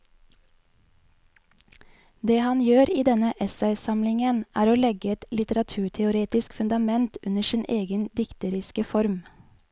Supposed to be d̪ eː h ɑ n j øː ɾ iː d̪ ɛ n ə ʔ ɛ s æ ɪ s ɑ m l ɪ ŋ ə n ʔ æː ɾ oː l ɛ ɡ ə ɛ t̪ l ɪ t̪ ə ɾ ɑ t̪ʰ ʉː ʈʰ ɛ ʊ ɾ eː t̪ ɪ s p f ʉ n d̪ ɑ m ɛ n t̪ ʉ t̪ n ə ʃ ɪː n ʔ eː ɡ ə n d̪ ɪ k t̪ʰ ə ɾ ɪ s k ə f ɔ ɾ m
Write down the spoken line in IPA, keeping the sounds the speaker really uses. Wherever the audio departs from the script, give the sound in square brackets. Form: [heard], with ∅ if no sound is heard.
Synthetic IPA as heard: d̪ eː h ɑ n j øː ɾ iː d̪ ɛ n ə ʔ ɛ s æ ɪ s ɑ m l ɪ ŋ ə n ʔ æː ɾ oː l ɛ ɡ ə ɛ t̪ l ɪ t̪ ə ɾ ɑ t̪ʰ ʉː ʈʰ ɛ ʊ ɾ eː t̪ ɪ s [k] f ʉ n d̪ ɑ m ɛ n t̪ ʉ [∅] n ə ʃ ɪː n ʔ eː ɡ ə n d̪ ɪ k [t̪] ə ɾ ɪ s k ə f ɔ ɾ m